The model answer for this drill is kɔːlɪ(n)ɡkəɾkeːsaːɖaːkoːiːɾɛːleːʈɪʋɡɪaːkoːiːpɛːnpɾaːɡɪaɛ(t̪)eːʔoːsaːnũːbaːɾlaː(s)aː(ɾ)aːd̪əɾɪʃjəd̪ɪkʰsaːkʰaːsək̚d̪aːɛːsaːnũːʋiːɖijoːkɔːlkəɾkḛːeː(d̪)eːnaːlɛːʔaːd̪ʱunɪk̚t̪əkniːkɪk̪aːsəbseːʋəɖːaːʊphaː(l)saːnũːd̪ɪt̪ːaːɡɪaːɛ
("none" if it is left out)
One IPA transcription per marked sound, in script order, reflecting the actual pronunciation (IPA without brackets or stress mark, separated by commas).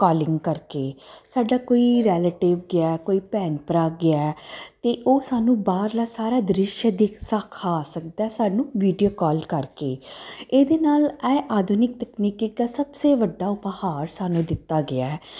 ŋ, t̪, s, ɾ, d̪, ɾ